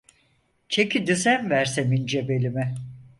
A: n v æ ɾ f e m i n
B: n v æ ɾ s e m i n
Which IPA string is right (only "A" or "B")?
B